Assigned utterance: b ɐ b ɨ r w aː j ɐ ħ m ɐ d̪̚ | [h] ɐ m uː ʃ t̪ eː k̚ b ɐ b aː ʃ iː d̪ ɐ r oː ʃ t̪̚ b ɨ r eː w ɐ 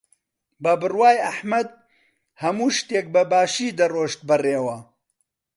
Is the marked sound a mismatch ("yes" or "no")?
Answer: no